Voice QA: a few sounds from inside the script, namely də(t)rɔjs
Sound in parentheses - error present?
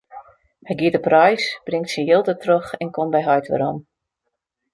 yes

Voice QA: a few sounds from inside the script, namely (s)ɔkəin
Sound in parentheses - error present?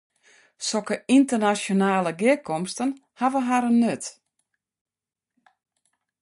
no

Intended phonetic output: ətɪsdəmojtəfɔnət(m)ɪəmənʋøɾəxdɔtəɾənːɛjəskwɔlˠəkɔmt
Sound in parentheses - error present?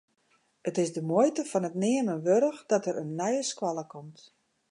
yes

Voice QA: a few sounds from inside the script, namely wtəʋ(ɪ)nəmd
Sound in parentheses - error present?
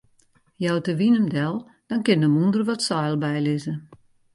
yes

